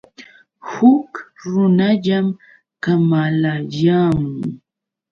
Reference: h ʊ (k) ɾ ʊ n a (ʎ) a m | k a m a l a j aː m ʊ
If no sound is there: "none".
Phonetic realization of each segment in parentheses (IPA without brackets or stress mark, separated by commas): k, ʎ